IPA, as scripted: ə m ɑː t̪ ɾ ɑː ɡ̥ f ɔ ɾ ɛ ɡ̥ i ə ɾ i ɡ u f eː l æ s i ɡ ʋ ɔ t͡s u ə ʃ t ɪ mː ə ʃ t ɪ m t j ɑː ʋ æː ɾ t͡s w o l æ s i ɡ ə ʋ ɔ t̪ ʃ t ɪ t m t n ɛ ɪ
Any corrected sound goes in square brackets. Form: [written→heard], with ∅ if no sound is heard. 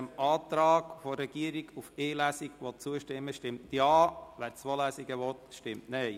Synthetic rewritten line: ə m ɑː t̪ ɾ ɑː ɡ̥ f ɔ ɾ ɛ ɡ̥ i ə ɾ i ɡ u f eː l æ s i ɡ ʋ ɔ t͡s u ə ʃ t ɪ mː ə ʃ t ɪ m t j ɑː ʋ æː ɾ t͡s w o l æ s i ɡ ə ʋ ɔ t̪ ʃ t ɪ [t→∅] m t n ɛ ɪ